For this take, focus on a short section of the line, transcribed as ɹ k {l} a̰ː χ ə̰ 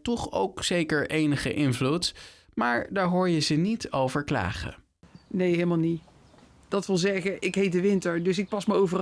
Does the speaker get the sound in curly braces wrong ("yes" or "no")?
no